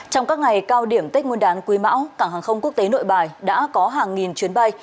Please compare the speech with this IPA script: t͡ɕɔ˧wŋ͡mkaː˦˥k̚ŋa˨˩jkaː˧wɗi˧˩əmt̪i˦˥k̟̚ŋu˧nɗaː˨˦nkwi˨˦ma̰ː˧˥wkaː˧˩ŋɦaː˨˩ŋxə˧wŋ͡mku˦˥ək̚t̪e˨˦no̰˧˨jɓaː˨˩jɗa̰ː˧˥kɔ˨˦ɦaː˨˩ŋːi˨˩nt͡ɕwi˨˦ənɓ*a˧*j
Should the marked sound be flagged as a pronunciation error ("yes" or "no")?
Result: no